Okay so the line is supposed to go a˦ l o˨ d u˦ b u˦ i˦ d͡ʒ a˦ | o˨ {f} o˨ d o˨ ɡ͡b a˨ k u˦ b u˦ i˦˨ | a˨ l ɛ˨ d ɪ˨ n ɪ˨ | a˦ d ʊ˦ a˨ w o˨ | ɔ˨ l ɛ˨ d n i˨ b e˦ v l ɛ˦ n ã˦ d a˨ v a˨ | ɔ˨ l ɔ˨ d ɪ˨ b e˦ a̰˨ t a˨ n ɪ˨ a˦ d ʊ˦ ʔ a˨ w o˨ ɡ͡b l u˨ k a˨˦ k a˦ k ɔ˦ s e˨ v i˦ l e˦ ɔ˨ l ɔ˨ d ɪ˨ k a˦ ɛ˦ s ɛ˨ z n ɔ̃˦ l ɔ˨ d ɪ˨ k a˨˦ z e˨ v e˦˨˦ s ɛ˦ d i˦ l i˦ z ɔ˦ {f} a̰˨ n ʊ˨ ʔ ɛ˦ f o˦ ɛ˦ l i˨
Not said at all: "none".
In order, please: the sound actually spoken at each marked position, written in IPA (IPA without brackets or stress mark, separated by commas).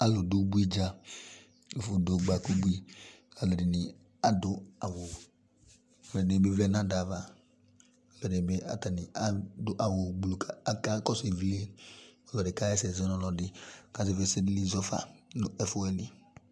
f, f